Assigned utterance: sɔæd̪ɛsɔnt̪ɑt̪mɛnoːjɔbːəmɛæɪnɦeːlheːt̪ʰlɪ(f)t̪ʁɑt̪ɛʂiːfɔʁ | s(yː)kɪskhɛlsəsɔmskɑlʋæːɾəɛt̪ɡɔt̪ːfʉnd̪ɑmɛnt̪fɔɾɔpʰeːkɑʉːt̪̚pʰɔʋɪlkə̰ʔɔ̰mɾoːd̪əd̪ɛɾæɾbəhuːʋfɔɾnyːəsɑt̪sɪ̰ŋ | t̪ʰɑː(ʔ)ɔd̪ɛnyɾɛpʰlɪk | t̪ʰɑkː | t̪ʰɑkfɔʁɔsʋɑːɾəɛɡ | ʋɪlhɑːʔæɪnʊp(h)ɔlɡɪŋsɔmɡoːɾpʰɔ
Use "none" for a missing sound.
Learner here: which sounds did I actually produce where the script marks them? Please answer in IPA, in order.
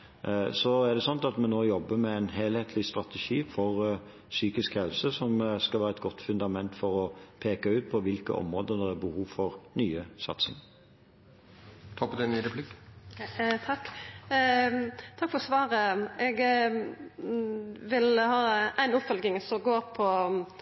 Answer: s, yː, p, f

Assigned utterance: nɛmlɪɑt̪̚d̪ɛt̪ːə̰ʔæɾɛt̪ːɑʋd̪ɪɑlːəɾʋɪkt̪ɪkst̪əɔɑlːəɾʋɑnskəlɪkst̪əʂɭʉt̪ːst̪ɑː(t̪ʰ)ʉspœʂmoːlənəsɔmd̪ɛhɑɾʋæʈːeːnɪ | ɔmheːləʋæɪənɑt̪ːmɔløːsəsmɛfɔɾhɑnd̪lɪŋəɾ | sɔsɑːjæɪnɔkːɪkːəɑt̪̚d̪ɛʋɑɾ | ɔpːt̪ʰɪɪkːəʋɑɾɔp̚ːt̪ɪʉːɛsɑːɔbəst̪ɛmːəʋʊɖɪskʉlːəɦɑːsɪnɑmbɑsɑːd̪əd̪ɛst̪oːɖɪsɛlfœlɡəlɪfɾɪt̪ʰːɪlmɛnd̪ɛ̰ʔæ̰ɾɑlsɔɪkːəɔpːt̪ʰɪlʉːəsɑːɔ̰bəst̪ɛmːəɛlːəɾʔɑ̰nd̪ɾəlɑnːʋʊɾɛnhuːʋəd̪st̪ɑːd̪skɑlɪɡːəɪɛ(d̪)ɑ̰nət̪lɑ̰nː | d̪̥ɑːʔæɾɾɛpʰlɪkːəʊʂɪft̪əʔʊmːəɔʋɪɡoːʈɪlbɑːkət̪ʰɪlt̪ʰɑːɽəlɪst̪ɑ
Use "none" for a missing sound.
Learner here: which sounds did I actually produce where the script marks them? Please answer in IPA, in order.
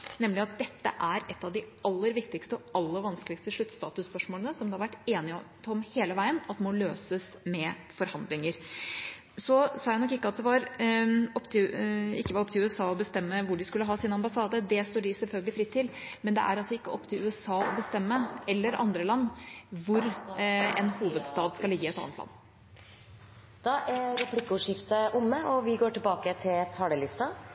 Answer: t̪, t̪

